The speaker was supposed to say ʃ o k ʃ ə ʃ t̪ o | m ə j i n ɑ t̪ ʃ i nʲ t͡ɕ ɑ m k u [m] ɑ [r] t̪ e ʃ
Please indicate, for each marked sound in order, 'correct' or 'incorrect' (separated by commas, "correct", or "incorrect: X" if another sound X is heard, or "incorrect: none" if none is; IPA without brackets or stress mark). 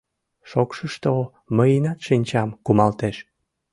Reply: correct, incorrect: l